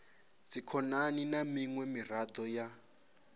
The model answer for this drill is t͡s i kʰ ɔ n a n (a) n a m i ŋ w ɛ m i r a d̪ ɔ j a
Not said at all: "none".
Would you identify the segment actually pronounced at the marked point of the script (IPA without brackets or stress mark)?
i